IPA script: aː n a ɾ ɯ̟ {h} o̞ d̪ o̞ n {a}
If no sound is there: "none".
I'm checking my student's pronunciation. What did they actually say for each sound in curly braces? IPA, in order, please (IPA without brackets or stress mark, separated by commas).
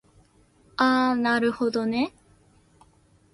h, e